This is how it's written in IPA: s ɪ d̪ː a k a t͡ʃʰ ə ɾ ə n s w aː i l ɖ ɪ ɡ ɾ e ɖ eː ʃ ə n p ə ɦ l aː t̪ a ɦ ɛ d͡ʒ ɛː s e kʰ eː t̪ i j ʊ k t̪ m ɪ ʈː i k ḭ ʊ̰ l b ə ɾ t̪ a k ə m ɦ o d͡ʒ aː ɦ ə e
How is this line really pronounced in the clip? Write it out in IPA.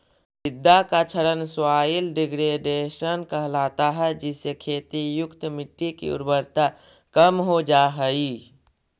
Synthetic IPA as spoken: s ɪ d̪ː a k a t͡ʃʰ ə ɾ ə n s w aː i l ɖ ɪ ɡ ɾ e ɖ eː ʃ ə n k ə ɦ l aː t̪ a ɦ ɛ d͡ʒ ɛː s e kʰ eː t̪ i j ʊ k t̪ m ɪ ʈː i k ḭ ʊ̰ ɾ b ə ɾ t̪ a k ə m ɦ o d͡ʒ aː ɦ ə i

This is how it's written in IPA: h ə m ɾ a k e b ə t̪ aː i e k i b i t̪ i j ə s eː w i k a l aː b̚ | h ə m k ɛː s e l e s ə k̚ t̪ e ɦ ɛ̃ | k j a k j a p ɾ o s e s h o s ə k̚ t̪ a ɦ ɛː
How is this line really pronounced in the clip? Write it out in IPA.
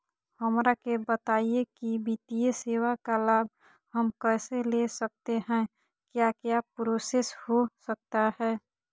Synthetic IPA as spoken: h ə m ɾ a k e b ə t̪ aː i e k i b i t̪ i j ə s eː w a k a l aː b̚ | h ə m k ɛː s e l e s ə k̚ t̪ e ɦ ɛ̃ | k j a k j a p ɾ o s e s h o s ə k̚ t̪ a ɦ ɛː

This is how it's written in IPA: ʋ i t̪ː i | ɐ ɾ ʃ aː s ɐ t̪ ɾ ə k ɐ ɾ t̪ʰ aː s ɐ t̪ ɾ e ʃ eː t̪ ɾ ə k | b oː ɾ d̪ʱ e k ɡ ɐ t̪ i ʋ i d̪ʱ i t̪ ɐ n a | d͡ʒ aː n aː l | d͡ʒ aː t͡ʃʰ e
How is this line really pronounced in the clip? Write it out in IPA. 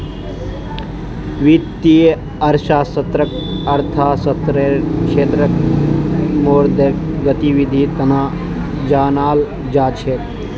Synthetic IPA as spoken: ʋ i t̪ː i | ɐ ɾ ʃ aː s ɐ t̪ ɾ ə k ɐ ɾ t̪ʰ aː s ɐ t̪ ɾ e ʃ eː t̪ ɾ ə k | m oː ɾ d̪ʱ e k ɡ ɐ t̪ i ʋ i d̪ʱ i t̪ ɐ n a | d͡ʒ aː n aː l | d͡ʒ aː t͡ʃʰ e

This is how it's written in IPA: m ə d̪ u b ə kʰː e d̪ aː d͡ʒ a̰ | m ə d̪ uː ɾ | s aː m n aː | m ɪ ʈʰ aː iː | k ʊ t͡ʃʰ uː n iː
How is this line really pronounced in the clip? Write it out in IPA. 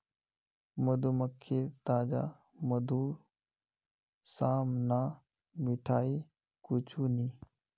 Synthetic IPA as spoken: m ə d̪ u m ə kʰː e t̪ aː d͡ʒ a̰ | m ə d̪ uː ɾ | s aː m n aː | m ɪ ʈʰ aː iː | k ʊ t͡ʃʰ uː n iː

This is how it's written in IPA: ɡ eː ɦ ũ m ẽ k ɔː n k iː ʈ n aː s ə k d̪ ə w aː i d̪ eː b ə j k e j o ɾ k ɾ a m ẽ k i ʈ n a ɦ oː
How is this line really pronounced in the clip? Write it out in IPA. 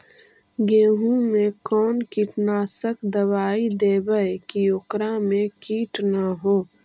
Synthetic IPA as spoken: ɡ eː ɦ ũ m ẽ k ɔː n k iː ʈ n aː s ə k d̪ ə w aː i d̪ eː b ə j k i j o k ɾ a m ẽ k iː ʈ n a ɦ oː

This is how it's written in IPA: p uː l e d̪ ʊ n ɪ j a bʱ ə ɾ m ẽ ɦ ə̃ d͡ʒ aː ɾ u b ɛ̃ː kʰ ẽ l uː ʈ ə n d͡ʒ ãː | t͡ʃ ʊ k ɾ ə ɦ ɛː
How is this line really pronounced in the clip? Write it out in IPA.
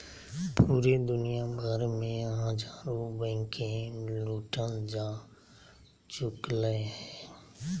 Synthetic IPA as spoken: p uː ɾ e d̪ ʊ n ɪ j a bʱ ə ɾ m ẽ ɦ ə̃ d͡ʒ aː ɾ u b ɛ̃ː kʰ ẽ l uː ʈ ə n d͡ʒ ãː | t͡ʃ ʊ k l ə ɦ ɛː

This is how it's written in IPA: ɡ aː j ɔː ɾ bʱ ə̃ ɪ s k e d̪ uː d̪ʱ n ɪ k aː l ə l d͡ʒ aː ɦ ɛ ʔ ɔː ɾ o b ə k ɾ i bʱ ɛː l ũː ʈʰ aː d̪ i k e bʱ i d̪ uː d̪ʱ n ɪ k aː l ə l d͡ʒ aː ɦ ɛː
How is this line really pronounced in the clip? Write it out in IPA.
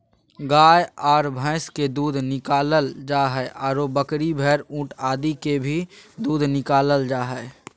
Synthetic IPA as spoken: ɡ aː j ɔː ɾ bʱ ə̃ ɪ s k e d̪ uː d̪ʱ n ɪ k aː l ə l d͡ʒ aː ɦ ɛ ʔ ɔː ɾ o b ə k ɾ i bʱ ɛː ɾ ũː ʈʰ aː d̪ i k e bʱ i d̪ uː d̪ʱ n ɪ k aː l ə l d͡ʒ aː ɦ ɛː

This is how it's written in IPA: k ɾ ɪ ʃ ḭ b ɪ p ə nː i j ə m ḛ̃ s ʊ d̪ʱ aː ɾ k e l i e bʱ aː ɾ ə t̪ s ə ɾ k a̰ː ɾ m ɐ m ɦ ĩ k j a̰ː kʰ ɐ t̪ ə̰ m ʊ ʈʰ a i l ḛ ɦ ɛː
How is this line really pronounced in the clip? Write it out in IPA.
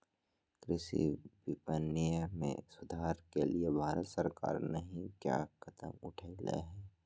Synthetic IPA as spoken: k ɾ ɪ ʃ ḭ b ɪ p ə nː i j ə m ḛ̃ s ʊ d̪ʱ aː ɾ k e l i e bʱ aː ɾ ə t̪ s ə ɾ k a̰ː ɾ n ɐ ɦ ĩ k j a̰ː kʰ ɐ t̪ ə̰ m ʊ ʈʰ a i l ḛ ɦ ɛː

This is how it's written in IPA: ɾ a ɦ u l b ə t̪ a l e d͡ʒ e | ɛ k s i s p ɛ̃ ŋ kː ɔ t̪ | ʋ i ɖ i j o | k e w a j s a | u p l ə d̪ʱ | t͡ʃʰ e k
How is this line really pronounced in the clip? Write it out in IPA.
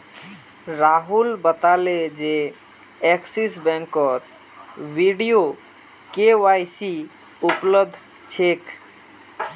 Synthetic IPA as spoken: ɾ a ɦ u l b ə t̪ a l e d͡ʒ e | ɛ k s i s b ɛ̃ ŋ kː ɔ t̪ | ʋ i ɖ i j o | k e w a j s i | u p l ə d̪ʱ | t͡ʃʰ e k

